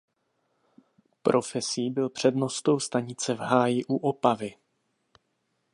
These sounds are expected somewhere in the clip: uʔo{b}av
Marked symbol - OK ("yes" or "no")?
no